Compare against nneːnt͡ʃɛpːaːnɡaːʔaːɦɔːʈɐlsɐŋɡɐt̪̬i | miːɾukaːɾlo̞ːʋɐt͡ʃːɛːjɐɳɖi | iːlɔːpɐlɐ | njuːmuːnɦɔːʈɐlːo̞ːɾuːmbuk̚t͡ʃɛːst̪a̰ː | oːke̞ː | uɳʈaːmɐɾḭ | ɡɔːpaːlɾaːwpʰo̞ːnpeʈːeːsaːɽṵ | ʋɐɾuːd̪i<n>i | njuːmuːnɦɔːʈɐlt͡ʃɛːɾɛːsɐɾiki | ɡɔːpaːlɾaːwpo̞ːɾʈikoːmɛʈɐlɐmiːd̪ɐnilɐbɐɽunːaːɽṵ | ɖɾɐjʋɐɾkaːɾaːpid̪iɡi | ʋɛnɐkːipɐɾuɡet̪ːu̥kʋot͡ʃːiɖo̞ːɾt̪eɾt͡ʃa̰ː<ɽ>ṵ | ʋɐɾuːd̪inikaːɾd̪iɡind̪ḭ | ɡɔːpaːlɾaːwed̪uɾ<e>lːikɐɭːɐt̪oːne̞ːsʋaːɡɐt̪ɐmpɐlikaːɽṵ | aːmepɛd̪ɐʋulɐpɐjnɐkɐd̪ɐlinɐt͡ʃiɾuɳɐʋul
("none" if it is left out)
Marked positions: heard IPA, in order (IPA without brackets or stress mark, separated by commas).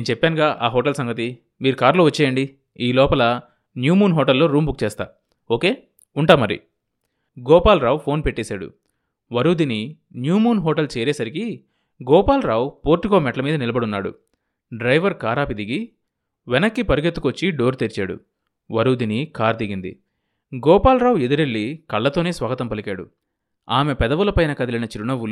n, ɽ, e